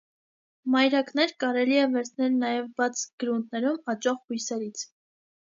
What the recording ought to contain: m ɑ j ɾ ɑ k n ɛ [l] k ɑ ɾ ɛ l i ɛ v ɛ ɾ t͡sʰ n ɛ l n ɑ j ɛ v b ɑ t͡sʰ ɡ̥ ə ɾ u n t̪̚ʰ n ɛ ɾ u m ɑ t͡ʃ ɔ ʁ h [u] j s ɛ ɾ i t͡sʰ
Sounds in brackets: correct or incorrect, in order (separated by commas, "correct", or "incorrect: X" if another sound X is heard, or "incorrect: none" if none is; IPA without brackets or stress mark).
incorrect: ɾ, correct